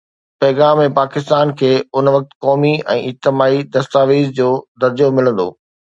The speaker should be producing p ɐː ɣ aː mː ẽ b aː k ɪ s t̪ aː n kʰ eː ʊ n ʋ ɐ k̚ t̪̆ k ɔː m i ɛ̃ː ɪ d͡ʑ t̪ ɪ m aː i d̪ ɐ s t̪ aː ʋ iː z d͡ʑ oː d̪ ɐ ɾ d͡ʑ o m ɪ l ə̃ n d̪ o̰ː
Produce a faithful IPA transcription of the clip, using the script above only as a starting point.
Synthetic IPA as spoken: p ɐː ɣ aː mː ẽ p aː k ɪ s t̪ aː n kʰ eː ʊ n ʋ ɐ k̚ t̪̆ k ɔː m i ɛ̃ː ɪ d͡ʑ t̪ ɪ m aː i d̪ ɐ s t̪ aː ʋ iː z d͡ʑ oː d̪ ɐ ɾ d͡ʑ o m ɪ l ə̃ n d̪ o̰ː